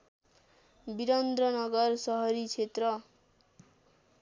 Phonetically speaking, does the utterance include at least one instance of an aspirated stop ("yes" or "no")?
yes